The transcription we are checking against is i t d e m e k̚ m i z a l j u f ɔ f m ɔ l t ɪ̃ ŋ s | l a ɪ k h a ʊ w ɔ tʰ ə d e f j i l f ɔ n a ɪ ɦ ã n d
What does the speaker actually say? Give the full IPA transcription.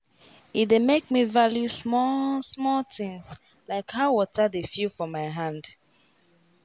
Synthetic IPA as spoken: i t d e m e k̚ m i v a l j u s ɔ s m ɔ l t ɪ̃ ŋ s | l a ɪ k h a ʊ w ɔ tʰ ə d e f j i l f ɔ m a ɪ ɦ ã n d

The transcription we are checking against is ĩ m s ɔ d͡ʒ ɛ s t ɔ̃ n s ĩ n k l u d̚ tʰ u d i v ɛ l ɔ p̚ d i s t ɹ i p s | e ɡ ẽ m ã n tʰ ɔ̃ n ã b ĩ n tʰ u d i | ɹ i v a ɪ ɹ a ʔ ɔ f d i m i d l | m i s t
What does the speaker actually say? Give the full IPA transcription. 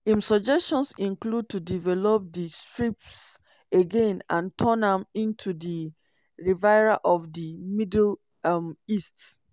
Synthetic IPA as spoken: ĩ m s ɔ d͡ʒ ɛ s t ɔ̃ n s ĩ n k l u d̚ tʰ u d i v ɛ l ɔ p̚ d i s t ɹ i p s | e ɡ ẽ n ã n tʰ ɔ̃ n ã m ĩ n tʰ u d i | ɹ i v a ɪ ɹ a ʔ ɔ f d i m i d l | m i s t

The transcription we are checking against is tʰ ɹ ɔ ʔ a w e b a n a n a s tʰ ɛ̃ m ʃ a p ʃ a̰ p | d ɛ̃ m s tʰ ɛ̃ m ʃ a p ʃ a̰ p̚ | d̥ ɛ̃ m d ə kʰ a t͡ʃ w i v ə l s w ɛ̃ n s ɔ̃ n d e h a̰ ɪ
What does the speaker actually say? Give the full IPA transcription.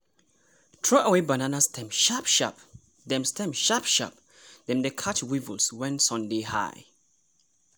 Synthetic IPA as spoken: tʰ ɹ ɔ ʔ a w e b a n a n a s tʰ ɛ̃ m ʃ a p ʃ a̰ p | d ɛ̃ m s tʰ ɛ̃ m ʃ a p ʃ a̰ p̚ | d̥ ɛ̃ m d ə kʰ a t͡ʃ w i v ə l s w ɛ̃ n s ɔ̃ n d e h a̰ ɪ

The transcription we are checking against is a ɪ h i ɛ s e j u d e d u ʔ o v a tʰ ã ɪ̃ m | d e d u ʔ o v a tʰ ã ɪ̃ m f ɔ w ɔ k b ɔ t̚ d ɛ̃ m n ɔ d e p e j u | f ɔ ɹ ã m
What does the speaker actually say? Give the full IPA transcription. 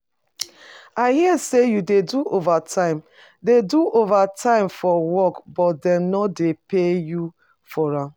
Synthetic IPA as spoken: a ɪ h i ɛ s e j u d e d u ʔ o v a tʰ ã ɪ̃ m | d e d u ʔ o v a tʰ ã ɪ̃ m f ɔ w ɔ k b ɔ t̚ d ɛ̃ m n ɔ d e p e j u | f ɔ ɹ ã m

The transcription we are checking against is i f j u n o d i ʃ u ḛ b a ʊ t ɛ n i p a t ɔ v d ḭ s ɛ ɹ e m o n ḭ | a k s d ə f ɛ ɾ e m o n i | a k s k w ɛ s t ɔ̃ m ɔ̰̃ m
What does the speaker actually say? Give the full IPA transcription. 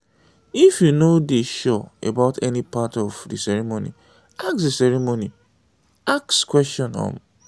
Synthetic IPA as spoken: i f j u n o d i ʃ ɔ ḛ b a ʊ t ɛ n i p a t ɔ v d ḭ s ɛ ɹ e m o n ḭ | a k s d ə s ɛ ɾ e m o n i | a k s k w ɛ s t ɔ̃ n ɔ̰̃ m

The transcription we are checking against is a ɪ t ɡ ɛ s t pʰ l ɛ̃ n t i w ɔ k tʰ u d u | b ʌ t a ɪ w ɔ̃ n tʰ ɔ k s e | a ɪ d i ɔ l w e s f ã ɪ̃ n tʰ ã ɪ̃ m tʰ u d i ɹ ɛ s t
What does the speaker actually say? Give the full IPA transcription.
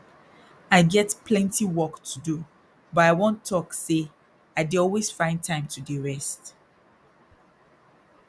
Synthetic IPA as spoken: a ɪ ɡ ɛ t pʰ l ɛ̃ n t i w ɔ k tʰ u d u | b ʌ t a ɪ w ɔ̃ n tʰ ɔ k s e | a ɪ d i ɔ l w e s f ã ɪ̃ n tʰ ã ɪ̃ m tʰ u d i ɹ ɛ s t

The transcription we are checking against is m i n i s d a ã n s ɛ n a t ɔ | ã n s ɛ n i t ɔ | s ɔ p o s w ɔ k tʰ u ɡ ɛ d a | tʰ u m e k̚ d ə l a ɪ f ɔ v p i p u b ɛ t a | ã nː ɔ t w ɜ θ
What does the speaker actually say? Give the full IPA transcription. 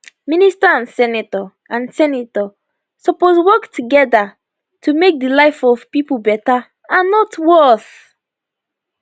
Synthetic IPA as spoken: m i n i s t a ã n s ɛ n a t ɔ | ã n s ɛ n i t ɔ | s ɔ p o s w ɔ k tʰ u ɡ ɛ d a | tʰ u m e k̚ d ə l a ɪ f ɔ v p i p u b ɛ t a | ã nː ɔ t w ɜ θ

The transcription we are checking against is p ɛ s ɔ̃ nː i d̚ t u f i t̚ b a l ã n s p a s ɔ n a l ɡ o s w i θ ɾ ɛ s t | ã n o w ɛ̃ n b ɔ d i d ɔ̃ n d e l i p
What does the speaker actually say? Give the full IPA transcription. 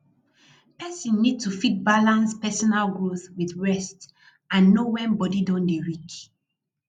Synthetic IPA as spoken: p ɛ s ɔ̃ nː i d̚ t u f i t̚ b a l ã n s p ɛ s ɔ n a l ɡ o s w i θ ɹ ɛ s t | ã nː o w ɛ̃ n b ɔ d i d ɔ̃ n d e ɹ i k

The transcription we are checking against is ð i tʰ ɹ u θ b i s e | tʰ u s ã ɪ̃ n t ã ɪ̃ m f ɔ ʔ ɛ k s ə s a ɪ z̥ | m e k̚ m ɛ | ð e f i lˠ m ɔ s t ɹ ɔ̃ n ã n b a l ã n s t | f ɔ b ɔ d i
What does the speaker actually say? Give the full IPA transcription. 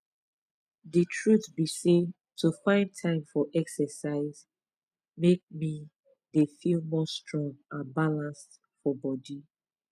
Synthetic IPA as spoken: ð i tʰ ɹ u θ b i s e | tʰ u f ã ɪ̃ n tʰ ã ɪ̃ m f ɔ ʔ ɛ k s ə s a ɪ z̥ | m e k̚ m i | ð e f i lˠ m ɔ s t ɹ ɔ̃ ŋ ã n b a l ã n s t | f ɔ b ɔ d i

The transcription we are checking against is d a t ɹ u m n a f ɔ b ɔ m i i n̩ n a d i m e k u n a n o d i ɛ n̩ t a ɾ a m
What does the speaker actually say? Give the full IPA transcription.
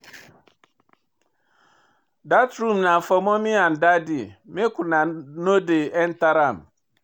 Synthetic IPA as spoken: d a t ɾ u m n a f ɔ m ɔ m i a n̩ d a d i m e k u n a n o d e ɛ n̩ t a ɾ a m

